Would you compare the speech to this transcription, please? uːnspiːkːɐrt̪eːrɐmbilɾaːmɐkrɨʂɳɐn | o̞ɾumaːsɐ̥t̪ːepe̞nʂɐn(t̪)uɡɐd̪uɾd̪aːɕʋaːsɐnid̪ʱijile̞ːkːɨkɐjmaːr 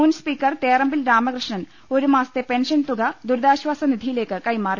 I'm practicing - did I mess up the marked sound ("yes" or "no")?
no